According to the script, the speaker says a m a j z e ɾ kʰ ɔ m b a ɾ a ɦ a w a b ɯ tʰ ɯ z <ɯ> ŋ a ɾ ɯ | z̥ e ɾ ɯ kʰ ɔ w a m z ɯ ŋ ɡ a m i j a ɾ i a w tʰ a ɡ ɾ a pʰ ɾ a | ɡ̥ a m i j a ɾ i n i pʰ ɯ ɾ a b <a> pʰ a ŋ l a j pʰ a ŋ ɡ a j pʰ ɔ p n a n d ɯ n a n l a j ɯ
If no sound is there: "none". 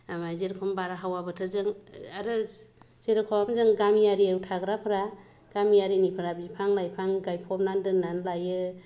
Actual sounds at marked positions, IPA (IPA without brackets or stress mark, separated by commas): ɯ, i